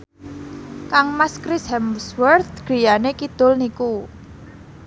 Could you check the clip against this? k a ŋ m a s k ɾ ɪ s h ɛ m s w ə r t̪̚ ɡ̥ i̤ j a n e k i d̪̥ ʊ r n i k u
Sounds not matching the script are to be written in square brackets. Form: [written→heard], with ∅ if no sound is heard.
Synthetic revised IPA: k a ŋ m a s k ɾ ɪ s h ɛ m s w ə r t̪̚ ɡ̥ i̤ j a n e k i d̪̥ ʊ [r→l] n i k u